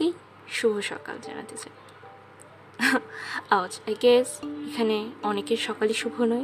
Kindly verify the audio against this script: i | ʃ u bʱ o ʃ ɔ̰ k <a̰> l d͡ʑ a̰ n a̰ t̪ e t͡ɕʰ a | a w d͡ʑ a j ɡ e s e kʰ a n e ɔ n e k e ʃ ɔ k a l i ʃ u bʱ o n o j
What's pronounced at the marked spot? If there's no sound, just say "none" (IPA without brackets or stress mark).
a̰